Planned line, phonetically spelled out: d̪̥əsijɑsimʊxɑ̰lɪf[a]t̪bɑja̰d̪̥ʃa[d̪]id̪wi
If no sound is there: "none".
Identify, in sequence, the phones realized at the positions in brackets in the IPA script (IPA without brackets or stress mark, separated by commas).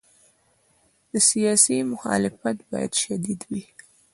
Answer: a, d̪